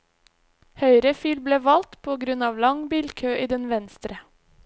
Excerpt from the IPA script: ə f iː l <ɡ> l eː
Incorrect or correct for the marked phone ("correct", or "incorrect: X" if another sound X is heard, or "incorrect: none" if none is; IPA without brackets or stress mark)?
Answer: incorrect: b